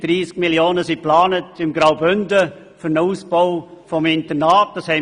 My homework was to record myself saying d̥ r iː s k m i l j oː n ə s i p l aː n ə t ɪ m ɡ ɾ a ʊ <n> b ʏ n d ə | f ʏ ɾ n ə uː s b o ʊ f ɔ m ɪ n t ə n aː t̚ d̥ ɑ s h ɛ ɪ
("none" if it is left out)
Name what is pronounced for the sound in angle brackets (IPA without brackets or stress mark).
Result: none